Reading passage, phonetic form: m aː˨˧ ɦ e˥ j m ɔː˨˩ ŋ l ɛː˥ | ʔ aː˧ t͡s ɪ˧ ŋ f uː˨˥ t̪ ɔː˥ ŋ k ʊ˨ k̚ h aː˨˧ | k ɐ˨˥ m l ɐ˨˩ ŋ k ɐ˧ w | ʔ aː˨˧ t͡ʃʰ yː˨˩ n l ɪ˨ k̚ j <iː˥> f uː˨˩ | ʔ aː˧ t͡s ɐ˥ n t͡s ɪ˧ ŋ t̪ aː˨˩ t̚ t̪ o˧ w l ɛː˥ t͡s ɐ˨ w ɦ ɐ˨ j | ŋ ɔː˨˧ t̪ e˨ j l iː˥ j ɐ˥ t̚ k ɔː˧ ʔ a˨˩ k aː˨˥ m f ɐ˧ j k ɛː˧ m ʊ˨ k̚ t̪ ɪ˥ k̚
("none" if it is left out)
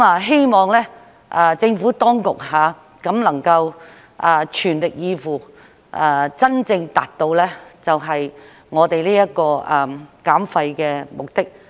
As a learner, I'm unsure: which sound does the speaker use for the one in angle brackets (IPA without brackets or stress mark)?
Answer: iː˨˧